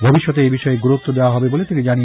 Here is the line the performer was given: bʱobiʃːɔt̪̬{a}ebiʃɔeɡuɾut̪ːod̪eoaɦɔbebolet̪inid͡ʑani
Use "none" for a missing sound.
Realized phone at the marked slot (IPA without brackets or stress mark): e